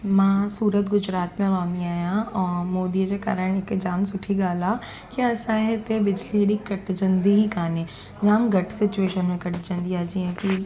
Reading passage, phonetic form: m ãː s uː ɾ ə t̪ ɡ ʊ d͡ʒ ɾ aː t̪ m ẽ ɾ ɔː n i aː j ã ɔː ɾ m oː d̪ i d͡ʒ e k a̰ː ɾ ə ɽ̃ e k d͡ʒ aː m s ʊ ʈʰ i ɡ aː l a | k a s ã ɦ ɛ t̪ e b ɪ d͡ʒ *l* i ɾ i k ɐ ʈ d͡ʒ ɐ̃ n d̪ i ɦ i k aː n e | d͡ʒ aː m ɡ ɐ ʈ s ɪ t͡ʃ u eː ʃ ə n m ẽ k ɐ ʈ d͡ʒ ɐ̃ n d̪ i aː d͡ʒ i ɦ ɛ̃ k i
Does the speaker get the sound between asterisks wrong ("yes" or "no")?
no